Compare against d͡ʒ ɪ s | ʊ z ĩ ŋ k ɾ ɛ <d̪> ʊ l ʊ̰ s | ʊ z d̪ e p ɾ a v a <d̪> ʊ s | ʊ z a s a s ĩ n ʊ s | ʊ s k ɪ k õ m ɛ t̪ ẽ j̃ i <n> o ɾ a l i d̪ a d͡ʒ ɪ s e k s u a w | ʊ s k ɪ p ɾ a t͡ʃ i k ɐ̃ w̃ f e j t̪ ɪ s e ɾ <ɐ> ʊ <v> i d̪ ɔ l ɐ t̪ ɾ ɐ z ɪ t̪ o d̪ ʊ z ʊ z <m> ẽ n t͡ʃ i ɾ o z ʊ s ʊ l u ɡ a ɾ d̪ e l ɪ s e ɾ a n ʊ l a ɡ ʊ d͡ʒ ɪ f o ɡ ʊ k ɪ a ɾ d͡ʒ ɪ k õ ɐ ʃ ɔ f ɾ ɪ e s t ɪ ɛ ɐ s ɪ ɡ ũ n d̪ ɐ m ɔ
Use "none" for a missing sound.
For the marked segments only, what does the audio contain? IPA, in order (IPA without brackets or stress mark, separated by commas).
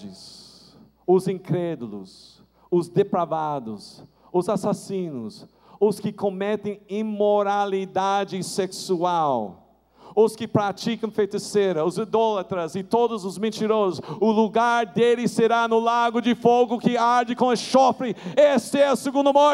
d̪, d̪, m, ɐ, z, m